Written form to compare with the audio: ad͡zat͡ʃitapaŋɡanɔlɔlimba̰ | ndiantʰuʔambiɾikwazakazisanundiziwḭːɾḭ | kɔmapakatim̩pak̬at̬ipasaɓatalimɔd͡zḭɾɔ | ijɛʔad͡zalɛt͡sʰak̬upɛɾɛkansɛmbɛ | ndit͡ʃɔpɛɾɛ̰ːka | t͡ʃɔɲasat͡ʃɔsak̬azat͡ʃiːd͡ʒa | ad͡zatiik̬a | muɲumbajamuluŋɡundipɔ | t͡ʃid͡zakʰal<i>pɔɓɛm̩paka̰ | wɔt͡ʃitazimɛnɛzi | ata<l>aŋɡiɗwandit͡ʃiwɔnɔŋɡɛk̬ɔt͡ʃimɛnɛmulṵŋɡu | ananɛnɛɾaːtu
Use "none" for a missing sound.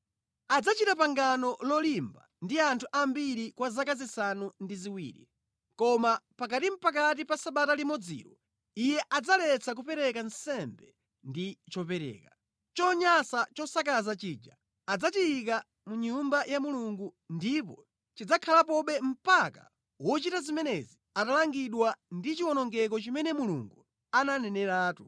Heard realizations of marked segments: a, l

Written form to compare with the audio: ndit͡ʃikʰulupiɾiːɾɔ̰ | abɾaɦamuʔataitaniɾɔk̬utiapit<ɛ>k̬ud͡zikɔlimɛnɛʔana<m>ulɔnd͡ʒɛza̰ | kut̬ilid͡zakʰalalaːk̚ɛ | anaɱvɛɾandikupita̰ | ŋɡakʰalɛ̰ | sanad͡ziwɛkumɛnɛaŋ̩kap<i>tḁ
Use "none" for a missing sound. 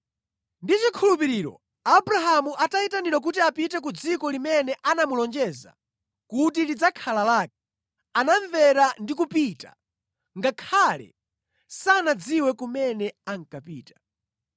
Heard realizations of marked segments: ɛ, m, iː

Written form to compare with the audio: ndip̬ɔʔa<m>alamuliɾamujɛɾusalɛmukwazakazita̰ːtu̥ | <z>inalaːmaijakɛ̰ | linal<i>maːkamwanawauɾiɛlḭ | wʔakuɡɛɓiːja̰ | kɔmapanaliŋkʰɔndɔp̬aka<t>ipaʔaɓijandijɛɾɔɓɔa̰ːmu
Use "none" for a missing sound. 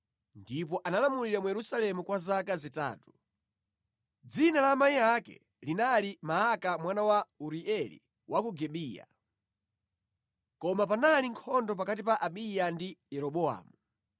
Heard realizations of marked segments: n, d͡z, i, t

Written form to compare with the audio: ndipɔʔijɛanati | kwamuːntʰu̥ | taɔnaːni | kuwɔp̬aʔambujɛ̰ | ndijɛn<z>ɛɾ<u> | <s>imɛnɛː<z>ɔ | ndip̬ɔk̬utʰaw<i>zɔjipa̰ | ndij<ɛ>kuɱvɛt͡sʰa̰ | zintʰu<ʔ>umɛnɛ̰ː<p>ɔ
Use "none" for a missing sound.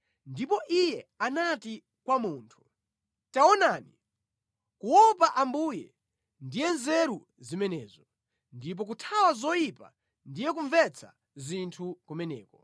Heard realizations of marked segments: z, u, z, z, a, ɛ, k, k

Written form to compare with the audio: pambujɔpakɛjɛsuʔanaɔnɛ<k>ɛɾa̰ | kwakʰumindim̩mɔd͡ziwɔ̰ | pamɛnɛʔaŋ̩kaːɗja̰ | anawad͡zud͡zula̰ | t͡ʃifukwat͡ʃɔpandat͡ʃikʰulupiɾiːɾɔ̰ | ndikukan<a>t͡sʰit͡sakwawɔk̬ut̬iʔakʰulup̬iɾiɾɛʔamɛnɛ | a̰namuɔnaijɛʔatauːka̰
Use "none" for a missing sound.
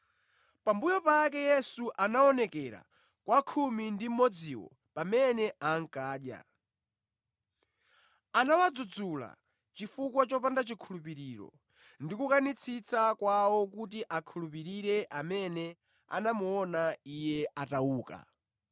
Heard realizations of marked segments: k, i

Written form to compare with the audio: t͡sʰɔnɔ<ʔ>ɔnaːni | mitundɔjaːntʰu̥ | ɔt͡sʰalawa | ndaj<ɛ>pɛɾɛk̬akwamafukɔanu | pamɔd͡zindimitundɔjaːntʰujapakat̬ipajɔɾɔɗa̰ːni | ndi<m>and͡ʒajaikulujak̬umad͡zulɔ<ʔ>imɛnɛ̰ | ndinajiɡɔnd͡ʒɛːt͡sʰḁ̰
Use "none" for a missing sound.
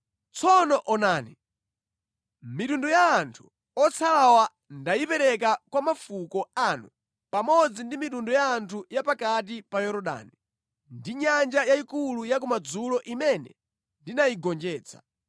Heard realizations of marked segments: ʔ, i, ɲ, ʔ

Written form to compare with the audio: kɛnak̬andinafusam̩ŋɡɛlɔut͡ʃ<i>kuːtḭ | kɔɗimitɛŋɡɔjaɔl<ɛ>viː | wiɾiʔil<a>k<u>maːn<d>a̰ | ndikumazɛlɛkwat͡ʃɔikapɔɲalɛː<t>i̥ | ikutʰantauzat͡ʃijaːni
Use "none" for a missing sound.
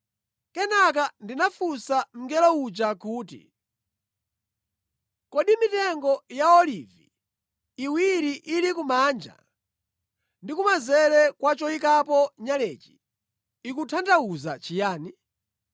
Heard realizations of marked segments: a, i, i, u, d͡ʒ, t͡ʃ

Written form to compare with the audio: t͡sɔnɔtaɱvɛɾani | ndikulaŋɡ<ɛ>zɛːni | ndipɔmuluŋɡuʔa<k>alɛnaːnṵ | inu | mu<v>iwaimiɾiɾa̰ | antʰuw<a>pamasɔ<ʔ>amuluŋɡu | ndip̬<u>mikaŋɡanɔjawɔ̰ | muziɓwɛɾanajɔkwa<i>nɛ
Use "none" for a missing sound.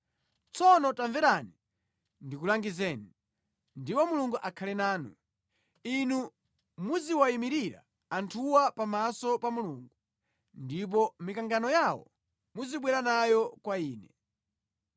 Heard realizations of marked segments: i, kʰ, z, a, p, ɔ, iː

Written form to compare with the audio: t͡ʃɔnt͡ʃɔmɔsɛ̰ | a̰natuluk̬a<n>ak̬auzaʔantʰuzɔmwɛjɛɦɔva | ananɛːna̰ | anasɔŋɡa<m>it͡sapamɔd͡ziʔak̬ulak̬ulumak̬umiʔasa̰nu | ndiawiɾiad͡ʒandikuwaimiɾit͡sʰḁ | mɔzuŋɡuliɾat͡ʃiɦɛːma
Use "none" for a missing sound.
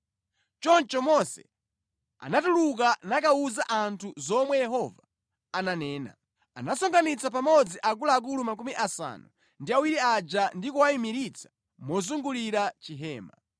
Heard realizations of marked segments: n, n

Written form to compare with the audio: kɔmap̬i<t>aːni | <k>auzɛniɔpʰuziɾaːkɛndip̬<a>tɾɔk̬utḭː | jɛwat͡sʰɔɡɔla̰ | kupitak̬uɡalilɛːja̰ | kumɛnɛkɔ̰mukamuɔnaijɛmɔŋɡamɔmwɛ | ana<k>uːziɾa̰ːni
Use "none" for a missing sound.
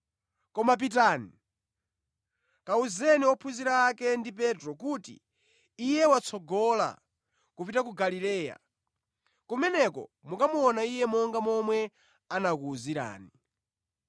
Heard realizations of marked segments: t, k, ɛ, k

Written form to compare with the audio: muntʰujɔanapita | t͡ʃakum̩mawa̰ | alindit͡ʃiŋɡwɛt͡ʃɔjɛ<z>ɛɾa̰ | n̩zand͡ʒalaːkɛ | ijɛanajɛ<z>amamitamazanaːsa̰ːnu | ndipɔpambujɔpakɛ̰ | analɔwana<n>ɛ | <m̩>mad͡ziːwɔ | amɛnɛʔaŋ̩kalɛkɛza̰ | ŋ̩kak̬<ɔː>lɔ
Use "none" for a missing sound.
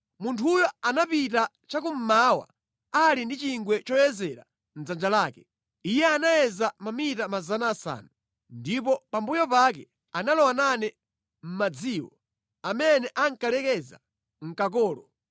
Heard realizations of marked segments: z, z, n, m̩, ɔː

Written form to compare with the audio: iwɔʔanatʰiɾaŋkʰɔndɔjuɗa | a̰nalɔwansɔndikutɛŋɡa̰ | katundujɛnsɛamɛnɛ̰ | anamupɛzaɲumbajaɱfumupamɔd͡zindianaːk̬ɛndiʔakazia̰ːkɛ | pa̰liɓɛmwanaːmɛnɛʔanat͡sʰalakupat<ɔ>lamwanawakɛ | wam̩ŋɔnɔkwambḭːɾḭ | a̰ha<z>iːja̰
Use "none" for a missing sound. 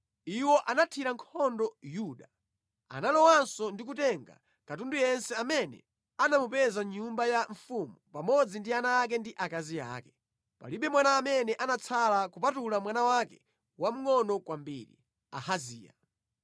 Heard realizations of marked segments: u, z

